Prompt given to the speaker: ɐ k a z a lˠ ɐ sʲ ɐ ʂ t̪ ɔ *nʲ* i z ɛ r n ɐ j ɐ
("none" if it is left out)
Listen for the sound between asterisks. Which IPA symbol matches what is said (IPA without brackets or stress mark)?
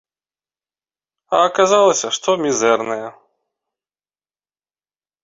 mʲ